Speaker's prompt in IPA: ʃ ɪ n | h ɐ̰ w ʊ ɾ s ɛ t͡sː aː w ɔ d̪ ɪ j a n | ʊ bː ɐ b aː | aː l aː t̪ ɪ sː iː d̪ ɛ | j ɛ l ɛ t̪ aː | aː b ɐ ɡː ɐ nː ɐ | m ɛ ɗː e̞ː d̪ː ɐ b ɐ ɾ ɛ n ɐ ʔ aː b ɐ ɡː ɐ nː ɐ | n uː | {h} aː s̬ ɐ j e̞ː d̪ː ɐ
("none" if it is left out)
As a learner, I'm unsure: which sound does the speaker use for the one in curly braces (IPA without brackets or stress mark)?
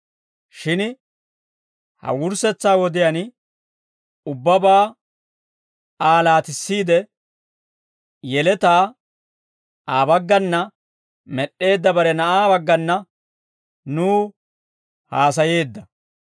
h